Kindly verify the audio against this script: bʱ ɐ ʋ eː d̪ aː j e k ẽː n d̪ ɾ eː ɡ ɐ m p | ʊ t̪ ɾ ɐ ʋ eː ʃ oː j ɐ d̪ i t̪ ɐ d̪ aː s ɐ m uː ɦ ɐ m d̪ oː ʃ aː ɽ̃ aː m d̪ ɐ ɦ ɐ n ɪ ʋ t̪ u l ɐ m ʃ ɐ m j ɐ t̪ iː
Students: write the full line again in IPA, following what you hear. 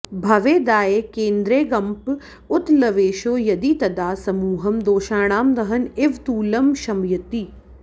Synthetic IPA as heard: bʱ ɐ ʋ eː d̪ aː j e k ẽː n d̪ ɾ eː ɡ ɐ m p | ʊ t̪ l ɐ ʋ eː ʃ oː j ɐ d̪ i t̪ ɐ d̪ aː s ɐ m uː ɦ ɐ m d̪ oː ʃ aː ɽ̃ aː m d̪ ɐ ɦ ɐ n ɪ ʋ t̪ uː l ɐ m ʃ ɐ m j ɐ t̪ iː